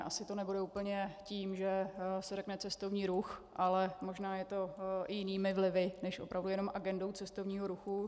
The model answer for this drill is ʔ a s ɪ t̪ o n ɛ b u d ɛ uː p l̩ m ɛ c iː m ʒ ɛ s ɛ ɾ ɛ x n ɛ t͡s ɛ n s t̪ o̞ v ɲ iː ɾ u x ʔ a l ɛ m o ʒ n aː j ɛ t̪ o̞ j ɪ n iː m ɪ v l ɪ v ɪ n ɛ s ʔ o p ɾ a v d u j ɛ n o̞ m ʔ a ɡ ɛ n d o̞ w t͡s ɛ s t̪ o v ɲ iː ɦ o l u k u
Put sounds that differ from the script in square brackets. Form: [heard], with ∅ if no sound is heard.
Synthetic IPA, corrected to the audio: ʔ a s ɪ t̪ o n ɛ b u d ɛ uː p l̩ [ɲ] ɛ c iː m ʒ ɛ s ɛ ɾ ɛ [k] n ɛ t͡s ɛ [∅] s t̪ o̞ v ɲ iː ɾ u x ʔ a l ɛ m o ʒ n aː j ɛ t̪ o̞ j ɪ n iː m ɪ v l ɪ v ɪ n ɛ [ʃ] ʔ o p ɾ a v d u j ɛ n o̞ m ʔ a ɡ ɛ n d o̞ w t͡s ɛ s t̪ o v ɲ iː ɦ o [ɾ] u [x] u

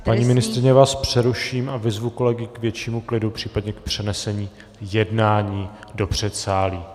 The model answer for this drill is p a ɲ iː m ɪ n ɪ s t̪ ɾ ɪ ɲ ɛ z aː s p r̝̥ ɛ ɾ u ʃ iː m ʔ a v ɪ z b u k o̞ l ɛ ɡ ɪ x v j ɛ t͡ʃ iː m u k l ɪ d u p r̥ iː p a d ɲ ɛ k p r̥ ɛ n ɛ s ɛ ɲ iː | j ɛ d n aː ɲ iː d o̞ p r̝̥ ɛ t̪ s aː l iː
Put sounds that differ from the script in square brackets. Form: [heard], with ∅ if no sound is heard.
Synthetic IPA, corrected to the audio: p a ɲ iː m ɪ n ɪ s t̪ ɾ ɪ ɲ ɛ [v] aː s p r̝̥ ɛ ɾ u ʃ iː m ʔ a v ɪ z [v] u k o̞ l ɛ ɡ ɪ [k] v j ɛ t͡ʃ iː m u k l ɪ d u p r̥ iː p a d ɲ ɛ k p r̥ ɛ n ɛ s ɛ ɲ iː | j ɛ d n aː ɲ iː d o̞ p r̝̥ ɛ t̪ s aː l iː

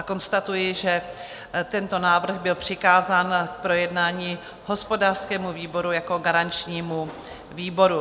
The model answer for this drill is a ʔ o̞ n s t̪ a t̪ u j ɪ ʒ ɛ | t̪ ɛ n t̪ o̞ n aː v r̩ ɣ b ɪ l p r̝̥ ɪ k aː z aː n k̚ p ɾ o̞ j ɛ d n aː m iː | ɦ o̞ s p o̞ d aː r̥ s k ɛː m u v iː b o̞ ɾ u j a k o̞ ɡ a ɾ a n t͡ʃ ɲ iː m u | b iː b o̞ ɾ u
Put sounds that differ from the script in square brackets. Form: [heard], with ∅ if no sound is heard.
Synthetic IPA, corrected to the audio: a [k] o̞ n s t̪ a t̪ u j ɪ ʒ ɛ | t̪ ɛ n t̪ o̞ n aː v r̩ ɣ b ɪ l p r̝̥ ɪ k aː z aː n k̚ p ɾ o̞ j ɛ d n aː [ɲ] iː | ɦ o̞ s p o̞ d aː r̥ s k ɛː m u v iː b o̞ ɾ u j a k o̞ ɡ a ɾ a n t͡ʃ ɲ iː m u | [v] iː b o̞ ɾ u

